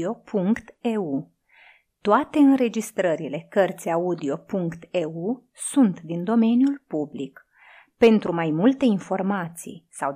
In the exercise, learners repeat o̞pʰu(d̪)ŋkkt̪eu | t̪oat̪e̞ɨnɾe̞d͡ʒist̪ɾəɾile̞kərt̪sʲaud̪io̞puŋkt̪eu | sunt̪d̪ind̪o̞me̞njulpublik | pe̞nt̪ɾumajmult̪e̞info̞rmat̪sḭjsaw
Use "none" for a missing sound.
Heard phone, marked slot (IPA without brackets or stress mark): none